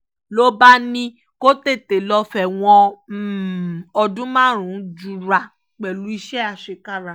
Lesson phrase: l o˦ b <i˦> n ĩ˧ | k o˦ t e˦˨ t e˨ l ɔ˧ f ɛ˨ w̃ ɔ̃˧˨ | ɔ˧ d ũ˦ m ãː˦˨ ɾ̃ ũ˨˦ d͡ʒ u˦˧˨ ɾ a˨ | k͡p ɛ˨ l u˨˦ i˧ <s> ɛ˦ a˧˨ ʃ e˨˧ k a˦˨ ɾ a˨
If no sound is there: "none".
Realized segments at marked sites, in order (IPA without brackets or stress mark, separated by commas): a˦, ʃ